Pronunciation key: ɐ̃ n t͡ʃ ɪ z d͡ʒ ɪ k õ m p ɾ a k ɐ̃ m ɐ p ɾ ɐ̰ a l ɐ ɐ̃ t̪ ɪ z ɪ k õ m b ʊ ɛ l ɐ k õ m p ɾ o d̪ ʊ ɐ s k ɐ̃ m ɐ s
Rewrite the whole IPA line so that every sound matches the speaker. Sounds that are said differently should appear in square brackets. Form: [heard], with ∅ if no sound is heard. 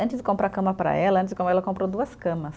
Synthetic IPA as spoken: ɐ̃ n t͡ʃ ɪ z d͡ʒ ɪ k õ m p ɾ a k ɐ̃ m ɐ p ɾ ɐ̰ [ɛ] l ɐ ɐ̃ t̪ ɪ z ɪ k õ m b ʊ ɛ l ɐ k õ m p ɾ o d̪ [u] ɐ s k ɐ̃ m ɐ s